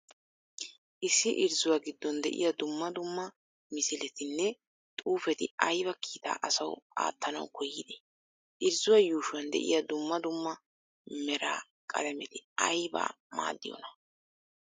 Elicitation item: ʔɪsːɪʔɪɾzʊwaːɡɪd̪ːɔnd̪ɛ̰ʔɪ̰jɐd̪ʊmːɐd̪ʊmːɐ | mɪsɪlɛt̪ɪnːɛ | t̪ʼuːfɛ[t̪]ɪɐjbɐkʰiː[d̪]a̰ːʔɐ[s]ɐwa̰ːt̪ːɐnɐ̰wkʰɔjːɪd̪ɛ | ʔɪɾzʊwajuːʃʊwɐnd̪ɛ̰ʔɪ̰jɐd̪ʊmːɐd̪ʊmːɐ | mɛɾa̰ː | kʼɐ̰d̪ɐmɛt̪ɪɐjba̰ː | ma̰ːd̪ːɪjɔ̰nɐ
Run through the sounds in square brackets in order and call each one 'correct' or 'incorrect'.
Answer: correct, incorrect, correct

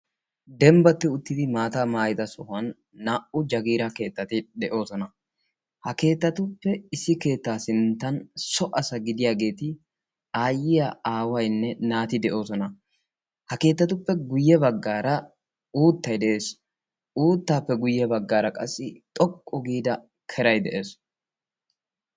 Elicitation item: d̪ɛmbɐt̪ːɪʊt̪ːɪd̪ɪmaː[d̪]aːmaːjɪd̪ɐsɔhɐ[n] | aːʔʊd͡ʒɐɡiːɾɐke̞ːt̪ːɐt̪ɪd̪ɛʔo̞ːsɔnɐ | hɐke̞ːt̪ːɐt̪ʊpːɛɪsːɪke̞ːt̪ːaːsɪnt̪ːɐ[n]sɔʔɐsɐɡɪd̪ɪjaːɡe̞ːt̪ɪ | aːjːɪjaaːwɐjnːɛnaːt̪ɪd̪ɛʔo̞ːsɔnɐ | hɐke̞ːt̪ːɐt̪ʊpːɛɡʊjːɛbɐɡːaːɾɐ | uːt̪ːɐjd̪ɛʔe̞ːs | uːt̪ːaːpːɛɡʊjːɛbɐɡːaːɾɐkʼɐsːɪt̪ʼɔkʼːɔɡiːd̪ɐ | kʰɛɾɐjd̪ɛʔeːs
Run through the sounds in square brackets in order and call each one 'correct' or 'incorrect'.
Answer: incorrect, incorrect, correct

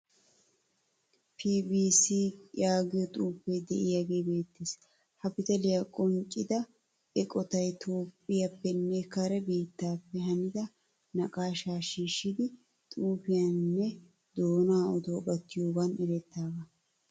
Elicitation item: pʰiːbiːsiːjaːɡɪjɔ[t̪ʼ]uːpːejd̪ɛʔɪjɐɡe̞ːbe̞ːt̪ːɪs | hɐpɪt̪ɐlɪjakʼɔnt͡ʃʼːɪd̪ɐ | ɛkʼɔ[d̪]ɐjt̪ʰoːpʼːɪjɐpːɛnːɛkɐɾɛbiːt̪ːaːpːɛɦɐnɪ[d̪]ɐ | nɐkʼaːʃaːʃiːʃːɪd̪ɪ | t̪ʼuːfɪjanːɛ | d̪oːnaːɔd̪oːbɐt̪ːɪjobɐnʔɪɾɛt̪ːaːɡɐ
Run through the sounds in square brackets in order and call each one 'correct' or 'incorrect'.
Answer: correct, incorrect, correct

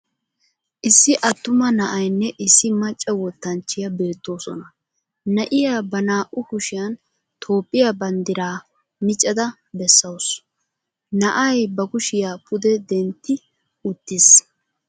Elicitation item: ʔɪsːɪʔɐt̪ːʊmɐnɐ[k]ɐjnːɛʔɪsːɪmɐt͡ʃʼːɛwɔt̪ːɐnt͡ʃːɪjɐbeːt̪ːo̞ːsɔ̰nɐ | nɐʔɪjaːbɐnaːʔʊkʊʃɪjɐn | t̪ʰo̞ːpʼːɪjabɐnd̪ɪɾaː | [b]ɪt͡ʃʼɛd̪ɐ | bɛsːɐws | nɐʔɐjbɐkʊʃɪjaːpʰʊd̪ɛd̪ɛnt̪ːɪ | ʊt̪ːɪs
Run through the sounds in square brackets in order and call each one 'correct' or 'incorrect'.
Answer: incorrect, incorrect

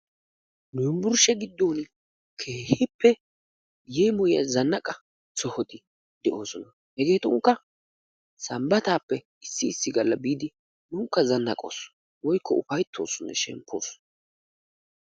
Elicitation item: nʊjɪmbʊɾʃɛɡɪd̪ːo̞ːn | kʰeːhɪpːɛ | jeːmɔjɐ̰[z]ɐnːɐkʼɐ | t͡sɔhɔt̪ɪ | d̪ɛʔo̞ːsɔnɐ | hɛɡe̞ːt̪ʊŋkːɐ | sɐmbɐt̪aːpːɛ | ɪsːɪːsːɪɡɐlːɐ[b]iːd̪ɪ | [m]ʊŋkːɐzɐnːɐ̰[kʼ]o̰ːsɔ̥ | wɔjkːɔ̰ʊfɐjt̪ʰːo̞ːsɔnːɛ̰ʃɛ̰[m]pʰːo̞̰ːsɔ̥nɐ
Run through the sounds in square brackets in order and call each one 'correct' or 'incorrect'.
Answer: correct, correct, incorrect, correct, correct

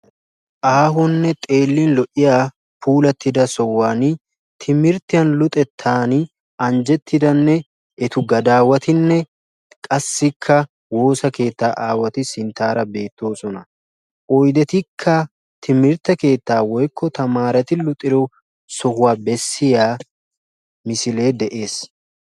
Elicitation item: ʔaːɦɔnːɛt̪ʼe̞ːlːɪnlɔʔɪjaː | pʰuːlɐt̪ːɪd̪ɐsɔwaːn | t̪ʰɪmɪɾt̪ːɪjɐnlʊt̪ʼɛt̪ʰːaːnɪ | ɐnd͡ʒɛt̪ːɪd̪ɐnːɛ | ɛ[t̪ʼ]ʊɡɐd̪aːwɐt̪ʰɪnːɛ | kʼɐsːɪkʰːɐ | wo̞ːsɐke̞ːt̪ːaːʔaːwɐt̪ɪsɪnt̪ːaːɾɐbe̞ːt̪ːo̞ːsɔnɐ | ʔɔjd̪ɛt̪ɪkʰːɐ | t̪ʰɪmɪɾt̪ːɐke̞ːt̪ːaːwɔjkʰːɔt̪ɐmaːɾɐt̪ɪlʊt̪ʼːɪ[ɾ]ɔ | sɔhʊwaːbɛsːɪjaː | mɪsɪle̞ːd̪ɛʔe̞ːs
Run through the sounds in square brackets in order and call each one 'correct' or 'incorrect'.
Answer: incorrect, correct

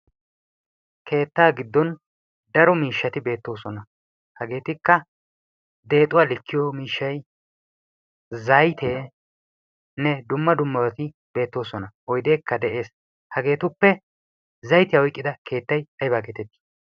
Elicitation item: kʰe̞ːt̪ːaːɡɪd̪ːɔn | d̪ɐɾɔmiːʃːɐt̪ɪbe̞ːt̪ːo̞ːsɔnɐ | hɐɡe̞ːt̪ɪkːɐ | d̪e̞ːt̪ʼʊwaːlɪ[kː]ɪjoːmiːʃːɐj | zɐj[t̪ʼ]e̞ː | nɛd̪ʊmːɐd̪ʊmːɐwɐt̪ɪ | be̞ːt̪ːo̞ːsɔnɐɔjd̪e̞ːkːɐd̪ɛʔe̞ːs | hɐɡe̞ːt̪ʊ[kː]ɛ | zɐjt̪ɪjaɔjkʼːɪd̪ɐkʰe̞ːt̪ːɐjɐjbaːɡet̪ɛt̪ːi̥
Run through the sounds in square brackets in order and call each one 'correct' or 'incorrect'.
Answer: correct, incorrect, incorrect

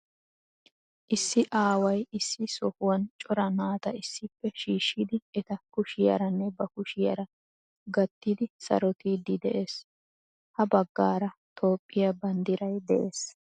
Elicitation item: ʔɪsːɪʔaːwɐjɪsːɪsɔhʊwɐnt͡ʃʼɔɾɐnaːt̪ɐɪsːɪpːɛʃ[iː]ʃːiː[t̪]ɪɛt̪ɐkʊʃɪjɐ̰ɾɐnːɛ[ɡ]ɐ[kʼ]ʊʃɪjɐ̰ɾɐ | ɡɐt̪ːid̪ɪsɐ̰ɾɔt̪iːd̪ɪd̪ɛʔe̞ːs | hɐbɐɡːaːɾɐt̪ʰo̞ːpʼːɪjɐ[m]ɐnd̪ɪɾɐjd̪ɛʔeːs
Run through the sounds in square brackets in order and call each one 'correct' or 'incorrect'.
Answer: correct, incorrect, incorrect, incorrect, incorrect

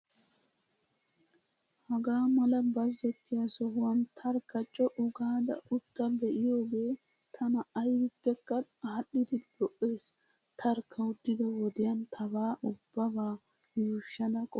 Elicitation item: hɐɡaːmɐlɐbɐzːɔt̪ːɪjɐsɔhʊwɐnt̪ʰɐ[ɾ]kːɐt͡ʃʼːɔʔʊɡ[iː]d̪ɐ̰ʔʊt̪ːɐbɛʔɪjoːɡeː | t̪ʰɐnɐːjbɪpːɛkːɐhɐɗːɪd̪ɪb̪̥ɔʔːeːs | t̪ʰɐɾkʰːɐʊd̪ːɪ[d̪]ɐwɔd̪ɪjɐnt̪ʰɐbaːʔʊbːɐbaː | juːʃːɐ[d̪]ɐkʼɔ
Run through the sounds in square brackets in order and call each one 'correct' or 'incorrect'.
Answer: correct, incorrect, correct, correct

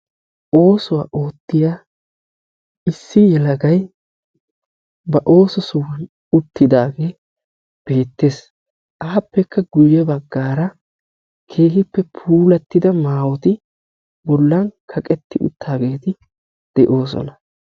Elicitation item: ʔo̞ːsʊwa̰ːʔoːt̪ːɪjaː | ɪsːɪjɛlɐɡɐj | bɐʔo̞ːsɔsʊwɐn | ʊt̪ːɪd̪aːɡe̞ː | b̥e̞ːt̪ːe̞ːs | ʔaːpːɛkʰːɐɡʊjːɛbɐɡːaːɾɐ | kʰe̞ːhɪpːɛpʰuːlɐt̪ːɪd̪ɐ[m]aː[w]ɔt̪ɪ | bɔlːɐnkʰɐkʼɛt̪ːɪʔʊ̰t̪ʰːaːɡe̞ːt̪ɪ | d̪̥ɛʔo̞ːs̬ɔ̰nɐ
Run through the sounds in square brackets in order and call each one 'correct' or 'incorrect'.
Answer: correct, correct

